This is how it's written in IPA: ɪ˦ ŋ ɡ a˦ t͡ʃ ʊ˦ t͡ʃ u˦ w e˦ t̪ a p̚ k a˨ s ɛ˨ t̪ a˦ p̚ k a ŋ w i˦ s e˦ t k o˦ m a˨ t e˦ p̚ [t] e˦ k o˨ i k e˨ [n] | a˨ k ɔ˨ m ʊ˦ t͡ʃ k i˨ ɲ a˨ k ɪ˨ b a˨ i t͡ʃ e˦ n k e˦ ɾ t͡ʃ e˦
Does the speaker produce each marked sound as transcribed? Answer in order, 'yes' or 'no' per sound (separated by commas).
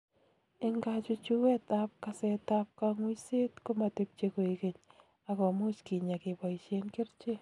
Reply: no, no